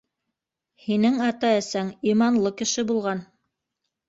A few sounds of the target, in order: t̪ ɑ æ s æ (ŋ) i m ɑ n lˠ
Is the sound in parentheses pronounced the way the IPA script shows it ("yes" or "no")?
yes